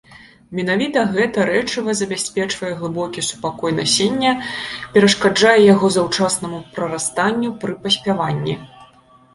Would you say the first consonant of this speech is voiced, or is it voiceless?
voiced